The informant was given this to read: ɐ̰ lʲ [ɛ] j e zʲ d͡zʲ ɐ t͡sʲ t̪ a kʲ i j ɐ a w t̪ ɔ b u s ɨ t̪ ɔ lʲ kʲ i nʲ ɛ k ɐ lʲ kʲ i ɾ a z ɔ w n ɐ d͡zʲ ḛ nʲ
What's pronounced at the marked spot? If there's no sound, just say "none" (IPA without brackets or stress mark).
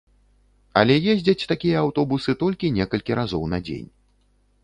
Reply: ɛ